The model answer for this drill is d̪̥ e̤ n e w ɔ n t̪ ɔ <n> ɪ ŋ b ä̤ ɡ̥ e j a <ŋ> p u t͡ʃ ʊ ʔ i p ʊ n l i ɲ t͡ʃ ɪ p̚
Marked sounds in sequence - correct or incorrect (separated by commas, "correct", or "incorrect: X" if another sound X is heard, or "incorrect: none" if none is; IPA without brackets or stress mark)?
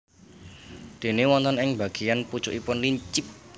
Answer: correct, incorrect: n